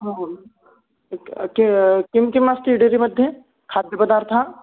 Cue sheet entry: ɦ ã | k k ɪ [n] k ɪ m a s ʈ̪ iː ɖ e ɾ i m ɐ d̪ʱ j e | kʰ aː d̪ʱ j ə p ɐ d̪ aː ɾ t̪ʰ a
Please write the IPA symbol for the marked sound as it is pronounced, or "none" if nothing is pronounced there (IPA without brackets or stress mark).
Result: m